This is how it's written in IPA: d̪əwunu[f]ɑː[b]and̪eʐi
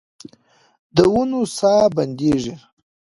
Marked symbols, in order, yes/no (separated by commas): no, yes